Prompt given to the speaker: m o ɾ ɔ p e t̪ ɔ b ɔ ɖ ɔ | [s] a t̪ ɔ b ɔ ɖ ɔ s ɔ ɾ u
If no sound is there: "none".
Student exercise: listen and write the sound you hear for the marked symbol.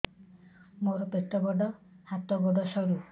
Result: h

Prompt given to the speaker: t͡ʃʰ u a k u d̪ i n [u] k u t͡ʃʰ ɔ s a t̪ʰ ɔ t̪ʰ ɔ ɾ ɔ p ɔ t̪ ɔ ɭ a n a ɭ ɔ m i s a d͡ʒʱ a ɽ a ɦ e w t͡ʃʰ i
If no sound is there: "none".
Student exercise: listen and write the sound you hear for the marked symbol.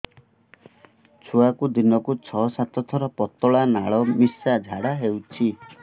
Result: ɔ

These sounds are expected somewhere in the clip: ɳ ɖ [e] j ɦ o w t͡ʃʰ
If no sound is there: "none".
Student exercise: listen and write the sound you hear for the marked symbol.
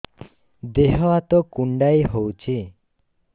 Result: a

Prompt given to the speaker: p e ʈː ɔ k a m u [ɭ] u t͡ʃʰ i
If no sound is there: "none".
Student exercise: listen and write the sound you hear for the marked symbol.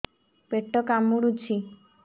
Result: ɽ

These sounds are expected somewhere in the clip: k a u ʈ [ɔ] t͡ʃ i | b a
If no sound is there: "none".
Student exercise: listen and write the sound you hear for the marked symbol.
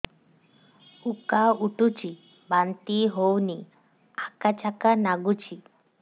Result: u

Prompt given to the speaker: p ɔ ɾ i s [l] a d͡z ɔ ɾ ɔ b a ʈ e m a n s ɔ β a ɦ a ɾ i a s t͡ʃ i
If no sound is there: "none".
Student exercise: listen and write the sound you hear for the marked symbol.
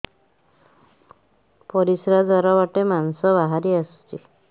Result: ɾ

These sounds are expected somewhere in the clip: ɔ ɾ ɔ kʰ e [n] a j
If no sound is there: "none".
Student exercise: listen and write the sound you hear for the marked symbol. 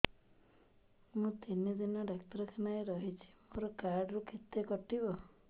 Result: n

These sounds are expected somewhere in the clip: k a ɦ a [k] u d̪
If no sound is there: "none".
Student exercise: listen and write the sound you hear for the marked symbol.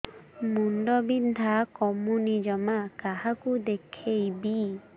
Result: k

